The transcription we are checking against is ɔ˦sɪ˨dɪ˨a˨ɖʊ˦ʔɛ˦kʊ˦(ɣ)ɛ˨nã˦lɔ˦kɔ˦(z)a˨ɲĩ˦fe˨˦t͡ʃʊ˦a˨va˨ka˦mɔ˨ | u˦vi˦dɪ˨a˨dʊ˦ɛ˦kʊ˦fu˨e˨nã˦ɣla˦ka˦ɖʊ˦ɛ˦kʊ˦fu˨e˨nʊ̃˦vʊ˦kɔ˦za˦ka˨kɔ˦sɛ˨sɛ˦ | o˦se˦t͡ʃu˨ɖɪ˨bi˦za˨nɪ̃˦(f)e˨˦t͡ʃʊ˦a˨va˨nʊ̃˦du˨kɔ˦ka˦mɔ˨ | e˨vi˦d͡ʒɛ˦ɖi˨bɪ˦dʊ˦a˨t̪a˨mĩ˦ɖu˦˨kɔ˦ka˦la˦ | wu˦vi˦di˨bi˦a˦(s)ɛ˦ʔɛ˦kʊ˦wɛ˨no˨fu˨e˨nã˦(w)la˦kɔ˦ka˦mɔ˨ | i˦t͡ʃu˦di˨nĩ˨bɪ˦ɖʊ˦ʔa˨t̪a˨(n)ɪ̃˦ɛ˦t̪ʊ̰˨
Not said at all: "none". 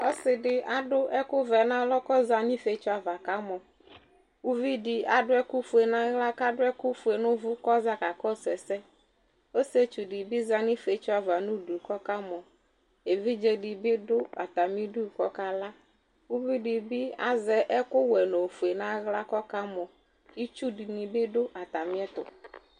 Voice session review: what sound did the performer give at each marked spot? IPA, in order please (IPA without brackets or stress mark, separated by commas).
v, z, f, z, ɣ, m